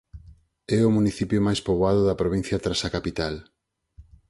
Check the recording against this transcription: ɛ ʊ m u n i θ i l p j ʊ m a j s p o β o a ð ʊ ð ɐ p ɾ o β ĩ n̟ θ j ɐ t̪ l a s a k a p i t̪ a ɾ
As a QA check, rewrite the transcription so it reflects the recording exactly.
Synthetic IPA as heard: ɛ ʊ m u n i θ i p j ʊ m a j s p o β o a ð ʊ ð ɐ p ɾ o β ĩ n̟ θ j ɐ t̪ ɾ a s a k a p i t̪ a l